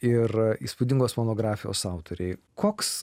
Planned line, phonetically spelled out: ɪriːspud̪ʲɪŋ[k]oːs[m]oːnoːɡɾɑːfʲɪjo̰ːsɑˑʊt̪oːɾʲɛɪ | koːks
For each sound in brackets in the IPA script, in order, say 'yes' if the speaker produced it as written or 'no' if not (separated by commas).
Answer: no, yes